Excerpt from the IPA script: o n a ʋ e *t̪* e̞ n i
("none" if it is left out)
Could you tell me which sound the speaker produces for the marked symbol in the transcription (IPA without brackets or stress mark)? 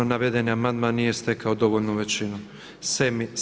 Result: d̪